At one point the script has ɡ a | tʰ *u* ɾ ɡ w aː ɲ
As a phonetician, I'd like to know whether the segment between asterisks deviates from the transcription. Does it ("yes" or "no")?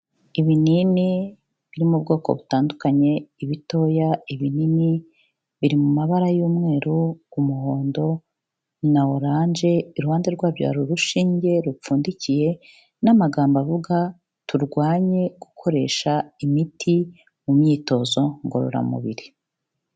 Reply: no